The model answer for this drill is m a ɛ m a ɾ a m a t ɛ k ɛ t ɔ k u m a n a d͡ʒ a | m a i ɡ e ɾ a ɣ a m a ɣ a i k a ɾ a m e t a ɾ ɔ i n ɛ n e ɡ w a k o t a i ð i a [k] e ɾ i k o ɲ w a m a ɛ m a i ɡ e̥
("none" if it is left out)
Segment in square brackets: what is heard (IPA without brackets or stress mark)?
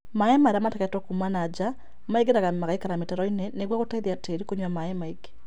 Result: t